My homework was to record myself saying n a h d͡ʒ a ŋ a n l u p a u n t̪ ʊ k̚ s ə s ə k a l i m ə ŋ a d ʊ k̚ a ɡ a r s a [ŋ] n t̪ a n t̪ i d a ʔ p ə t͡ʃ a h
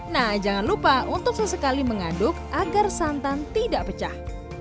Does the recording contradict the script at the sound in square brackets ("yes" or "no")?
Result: yes